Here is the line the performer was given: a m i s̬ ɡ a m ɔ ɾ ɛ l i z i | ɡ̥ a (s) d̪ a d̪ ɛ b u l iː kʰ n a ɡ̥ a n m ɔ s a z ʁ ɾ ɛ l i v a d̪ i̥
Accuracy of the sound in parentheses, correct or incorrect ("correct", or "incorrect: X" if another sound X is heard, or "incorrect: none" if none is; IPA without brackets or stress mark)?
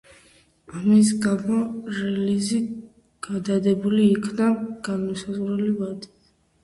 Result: incorrect: none